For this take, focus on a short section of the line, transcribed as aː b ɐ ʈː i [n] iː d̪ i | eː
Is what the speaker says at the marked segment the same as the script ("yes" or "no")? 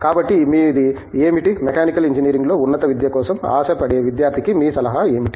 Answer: no